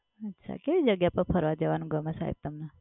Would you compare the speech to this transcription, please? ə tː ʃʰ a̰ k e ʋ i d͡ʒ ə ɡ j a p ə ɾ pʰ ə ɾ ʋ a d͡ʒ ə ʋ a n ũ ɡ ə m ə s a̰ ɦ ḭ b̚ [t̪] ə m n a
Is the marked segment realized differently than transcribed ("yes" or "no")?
no